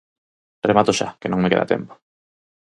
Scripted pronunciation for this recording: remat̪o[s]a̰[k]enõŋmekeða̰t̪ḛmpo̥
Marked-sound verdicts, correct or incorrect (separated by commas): incorrect, correct